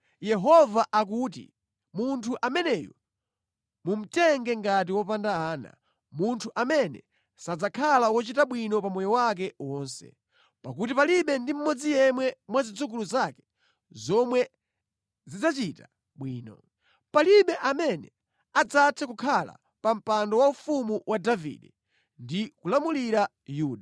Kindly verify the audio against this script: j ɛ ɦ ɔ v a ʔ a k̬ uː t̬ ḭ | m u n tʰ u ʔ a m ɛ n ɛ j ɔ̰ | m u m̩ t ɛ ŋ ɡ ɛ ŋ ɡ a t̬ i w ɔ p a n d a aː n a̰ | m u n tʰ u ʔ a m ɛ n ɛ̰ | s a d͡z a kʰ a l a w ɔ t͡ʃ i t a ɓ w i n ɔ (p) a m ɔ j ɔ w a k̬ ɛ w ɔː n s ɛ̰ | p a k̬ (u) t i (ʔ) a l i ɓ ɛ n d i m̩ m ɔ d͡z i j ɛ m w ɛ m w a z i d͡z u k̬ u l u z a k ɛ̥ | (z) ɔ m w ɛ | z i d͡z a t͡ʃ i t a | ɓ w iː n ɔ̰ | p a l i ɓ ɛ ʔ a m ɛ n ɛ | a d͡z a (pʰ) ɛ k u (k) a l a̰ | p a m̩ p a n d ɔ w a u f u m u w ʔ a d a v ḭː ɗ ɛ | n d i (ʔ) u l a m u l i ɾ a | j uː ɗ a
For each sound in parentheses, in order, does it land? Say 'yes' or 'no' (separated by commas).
yes, yes, no, yes, no, no, no